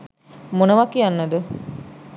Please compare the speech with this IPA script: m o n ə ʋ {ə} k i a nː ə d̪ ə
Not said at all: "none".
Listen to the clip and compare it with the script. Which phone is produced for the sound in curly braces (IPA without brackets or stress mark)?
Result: a